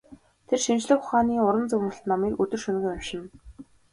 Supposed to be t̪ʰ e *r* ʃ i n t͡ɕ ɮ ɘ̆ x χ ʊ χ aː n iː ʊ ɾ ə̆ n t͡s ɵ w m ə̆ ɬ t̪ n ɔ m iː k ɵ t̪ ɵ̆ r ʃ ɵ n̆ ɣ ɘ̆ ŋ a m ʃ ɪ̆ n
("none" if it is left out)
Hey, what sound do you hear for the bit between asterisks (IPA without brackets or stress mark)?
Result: r